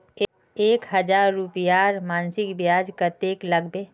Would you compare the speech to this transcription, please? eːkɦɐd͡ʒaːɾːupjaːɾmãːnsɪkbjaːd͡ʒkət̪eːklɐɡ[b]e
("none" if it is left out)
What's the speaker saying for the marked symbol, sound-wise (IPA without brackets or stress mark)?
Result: b